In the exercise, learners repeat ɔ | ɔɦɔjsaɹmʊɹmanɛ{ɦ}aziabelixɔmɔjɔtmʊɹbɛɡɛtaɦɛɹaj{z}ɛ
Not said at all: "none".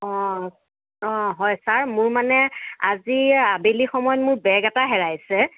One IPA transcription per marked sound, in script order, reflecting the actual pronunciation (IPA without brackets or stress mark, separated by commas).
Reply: none, s